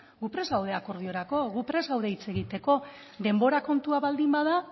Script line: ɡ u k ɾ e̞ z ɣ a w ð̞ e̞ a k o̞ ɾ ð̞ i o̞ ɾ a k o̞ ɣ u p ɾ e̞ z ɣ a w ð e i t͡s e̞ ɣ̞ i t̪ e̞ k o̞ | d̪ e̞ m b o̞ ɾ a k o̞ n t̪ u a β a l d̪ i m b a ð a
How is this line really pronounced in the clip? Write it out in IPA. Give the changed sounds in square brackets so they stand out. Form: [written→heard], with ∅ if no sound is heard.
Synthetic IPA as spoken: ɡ u [k→p] ɾ e̞ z ɣ a w ð̞ e̞ a k o̞ ɾ ð̞ i o̞ ɾ a k o̞ ɣ u p ɾ e̞ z ɣ a w ð e i t͡s e̞ ɣ̞ i t̪ e̞ k o̞ | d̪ e̞ m b o̞ ɾ a k o̞ n t̪ u a β a l d̪ i m b a ð a